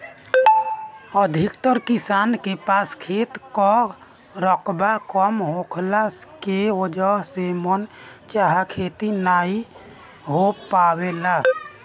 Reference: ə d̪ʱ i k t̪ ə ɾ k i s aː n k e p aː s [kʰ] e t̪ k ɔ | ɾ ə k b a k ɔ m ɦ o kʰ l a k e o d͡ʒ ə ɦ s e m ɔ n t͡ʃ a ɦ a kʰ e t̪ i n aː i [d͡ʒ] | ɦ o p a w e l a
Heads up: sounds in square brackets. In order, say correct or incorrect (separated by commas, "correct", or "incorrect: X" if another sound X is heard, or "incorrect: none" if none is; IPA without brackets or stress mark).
correct, incorrect: none